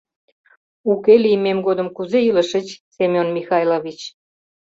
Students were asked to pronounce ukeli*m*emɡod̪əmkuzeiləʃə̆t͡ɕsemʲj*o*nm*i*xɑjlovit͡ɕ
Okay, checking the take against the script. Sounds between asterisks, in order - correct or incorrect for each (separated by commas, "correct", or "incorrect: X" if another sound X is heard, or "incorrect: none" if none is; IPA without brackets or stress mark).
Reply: correct, correct, correct